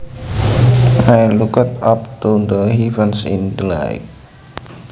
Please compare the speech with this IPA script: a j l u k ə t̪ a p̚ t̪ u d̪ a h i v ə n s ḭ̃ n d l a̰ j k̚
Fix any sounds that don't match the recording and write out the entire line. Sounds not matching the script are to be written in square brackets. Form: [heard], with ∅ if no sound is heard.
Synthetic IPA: a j l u k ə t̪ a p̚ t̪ u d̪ [ə] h i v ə n s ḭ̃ n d l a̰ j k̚